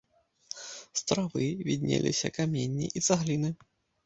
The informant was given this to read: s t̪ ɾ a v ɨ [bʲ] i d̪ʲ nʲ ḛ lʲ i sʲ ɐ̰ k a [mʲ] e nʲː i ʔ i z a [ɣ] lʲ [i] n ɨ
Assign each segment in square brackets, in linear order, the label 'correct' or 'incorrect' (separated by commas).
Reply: incorrect, correct, correct, correct